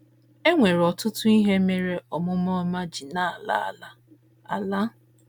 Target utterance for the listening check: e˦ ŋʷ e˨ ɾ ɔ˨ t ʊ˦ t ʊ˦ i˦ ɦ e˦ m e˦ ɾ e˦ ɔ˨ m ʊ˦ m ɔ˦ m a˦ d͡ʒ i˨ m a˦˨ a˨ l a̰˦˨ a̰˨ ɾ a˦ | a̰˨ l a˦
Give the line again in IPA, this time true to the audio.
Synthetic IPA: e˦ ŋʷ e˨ ɾ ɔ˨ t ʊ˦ t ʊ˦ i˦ ɦ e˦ m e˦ ɾ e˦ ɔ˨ m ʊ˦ m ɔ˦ m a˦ d͡ʒ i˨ n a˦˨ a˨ l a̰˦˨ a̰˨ l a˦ | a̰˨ l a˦